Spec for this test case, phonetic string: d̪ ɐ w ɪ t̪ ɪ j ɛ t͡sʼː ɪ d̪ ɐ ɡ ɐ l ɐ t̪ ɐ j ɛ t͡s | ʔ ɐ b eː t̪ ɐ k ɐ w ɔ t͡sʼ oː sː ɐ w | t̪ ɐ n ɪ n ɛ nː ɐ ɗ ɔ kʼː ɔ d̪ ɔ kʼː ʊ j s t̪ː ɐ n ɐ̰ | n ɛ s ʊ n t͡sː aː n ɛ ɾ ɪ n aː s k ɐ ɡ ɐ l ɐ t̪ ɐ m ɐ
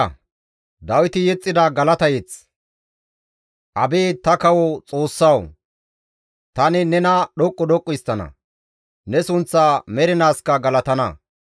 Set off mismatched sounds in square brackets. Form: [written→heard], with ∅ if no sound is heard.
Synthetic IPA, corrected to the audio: d̪ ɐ w ɪ t̪ ɪ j ɛ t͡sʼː ɪ d̪ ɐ ɡ ɐ l ɐ t̪ ɐ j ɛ t͡s | ʔ ɐ b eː t̪ ɐ k ɐ w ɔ t͡sʼ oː sː ɐ w | t̪ ɐ n ɪ n ɛ [nː→n] ɐ ɗ ɔ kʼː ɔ d̪ ɔ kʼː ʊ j s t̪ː ɐ n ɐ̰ | n ɛ s ʊ n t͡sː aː [n→m] ɛ ɾ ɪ n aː s k ɐ ɡ ɐ l ɐ t̪ ɐ [m→n] ɐ